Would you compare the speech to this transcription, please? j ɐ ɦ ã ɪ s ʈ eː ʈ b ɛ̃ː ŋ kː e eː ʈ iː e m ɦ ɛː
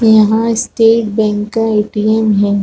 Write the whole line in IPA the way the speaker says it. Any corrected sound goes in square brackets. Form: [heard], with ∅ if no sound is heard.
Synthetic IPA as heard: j ɐ ɦ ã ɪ s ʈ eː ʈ b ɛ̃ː ŋ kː [a] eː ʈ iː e m ɦ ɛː